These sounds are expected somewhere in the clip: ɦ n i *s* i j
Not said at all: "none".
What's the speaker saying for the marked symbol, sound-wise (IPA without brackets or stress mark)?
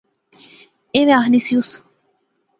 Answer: s